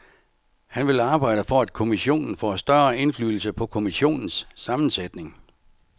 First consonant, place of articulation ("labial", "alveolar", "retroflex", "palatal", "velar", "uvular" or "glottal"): glottal